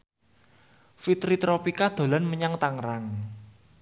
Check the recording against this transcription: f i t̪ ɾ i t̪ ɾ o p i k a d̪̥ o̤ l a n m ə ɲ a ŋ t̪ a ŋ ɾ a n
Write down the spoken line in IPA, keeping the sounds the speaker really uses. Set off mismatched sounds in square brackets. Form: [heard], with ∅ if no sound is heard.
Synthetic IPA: f i t̪ ɾ i t̪ ɾ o p i k a d̪̥ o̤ l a n m ə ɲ a ŋ t̪ a ŋ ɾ a [ŋ]